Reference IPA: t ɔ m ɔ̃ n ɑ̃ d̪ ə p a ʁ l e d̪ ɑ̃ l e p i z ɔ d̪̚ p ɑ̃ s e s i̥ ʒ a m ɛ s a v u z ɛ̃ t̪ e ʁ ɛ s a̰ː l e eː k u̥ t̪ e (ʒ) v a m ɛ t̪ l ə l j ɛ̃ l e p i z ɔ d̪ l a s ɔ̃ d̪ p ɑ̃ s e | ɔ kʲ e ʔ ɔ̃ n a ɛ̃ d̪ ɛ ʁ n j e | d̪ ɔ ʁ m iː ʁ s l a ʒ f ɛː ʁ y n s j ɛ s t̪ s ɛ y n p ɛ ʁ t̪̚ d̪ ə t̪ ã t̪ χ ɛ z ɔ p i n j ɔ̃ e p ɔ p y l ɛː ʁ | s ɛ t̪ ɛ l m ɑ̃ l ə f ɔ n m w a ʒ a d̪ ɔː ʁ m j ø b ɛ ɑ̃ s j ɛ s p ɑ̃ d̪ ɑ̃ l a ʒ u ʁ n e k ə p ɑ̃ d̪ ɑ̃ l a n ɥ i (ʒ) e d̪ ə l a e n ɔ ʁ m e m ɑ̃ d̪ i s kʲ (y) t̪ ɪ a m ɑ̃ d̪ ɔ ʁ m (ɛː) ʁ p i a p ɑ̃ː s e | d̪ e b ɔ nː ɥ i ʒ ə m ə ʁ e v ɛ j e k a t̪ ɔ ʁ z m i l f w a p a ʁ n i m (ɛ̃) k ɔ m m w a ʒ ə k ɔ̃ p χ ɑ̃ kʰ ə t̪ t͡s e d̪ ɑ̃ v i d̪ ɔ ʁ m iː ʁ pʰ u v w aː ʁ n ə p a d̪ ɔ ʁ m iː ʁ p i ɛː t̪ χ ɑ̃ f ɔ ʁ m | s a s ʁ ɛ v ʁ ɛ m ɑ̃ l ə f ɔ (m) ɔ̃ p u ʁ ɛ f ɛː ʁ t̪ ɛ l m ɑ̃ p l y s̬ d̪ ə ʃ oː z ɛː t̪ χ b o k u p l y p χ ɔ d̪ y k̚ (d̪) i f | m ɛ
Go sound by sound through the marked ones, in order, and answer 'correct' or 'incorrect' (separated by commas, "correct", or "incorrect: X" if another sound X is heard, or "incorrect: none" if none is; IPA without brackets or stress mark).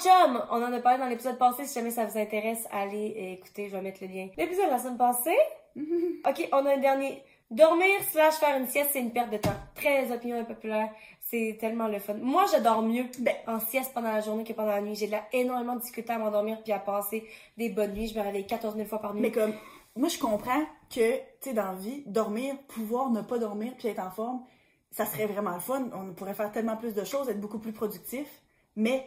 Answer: correct, correct, correct, incorrect: iː, incorrect: ɛ, incorrect: n, incorrect: t̪